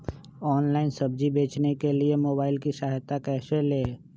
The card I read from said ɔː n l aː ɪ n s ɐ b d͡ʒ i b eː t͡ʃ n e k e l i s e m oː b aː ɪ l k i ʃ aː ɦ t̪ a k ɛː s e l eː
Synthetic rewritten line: ɔː n l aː ɪ n s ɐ b d͡ʒ i b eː t͡ʃ n e k e l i e m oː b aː ɪ l k i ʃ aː ɦ t̪ a k ɛː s e l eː